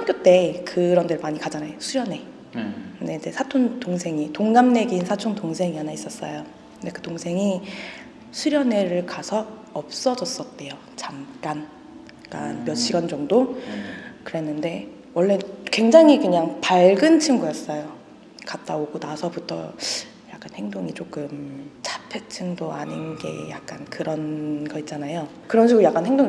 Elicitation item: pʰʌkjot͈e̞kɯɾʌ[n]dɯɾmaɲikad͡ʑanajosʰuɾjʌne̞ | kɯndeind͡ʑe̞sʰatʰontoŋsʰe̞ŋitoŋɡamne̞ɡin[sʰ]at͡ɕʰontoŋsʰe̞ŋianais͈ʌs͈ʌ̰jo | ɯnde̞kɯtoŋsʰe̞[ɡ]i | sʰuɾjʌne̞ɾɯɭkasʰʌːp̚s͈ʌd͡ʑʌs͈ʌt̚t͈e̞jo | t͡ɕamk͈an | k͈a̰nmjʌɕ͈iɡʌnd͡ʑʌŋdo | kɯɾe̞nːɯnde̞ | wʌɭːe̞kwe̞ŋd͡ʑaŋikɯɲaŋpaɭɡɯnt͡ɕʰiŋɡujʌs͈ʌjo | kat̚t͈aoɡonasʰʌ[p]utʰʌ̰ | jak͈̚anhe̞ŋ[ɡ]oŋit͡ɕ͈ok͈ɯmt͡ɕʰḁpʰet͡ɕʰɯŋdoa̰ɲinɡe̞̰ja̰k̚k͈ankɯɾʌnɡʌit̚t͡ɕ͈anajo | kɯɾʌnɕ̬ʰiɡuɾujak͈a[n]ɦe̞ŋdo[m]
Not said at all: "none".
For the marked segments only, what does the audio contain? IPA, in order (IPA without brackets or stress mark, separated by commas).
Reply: n, sʰ, ŋ, b, d, n, ŋ